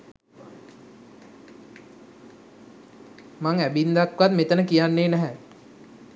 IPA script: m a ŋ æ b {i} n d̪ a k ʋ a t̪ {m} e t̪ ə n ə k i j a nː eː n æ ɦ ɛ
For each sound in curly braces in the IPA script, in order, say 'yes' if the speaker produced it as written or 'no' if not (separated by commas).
yes, yes